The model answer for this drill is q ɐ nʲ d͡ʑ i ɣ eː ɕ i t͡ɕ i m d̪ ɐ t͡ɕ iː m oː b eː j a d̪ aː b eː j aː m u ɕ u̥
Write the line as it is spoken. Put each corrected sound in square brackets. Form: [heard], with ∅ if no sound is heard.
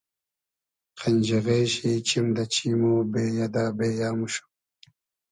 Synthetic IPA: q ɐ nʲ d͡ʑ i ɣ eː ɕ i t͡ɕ i m d̪ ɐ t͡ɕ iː m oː b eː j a d̪ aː b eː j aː m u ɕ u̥